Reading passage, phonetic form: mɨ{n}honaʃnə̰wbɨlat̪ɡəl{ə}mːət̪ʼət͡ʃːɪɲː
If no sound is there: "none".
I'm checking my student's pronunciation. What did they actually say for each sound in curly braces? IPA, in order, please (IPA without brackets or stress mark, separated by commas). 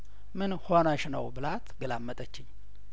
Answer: n, a